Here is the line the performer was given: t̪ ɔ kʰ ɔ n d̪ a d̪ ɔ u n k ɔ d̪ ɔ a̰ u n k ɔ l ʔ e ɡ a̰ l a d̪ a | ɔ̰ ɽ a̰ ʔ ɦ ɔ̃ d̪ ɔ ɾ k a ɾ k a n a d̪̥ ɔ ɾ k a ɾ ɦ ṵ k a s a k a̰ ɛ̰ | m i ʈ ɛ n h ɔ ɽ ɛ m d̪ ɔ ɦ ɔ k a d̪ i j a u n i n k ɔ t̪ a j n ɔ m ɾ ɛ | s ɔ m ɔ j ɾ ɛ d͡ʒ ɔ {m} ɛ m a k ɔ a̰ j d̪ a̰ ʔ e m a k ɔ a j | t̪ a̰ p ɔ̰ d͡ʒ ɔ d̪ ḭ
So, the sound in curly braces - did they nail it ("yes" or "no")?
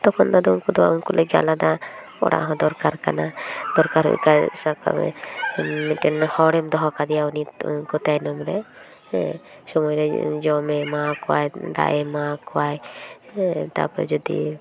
yes